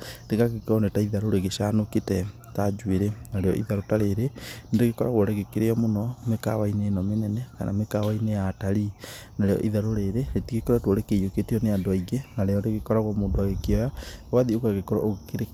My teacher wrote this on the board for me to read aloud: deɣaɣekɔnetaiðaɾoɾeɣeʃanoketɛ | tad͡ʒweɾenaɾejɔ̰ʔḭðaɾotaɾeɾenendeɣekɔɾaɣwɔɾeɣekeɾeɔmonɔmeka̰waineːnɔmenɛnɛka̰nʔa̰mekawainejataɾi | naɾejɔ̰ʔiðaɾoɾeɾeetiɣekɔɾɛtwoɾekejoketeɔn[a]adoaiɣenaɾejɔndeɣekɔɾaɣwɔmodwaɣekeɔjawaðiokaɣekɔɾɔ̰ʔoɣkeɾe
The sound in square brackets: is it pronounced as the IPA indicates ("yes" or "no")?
no